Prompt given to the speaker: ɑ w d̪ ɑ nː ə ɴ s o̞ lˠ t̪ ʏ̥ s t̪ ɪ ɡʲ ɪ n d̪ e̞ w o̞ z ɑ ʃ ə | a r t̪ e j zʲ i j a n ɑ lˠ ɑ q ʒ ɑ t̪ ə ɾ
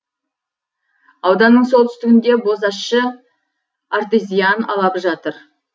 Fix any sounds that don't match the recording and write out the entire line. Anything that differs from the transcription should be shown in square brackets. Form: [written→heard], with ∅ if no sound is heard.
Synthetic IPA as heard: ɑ w d̪ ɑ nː ə ɴ s o̞ lˠ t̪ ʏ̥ s t̪ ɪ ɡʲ ɪ n d̪ e̞ [w→b] o̞ z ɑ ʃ ə | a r t̪ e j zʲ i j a n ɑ lˠ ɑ [q→p] ʒ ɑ t̪ ə ɾ